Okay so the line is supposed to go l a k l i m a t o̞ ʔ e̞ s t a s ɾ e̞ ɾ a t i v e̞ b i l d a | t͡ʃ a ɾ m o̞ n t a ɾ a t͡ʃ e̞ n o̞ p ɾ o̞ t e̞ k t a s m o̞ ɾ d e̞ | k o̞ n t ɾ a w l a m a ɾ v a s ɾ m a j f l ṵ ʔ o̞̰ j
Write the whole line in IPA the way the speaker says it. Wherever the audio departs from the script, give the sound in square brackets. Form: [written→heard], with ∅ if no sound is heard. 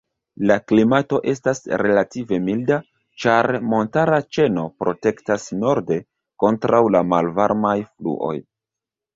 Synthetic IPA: l a k l i m a t o̞ ʔ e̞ s t a s ɾ e̞ [ɾ→l] a t i v e̞ [b→m] i l d a | t͡ʃ a ɾ m o̞ n t a ɾ a t͡ʃ e̞ n o̞ p ɾ o̞ t e̞ k t a s [m→n] o̞ ɾ d e̞ | k o̞ n t ɾ a w l a m a [ɾ→l] v a [s→∅] ɾ m a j f l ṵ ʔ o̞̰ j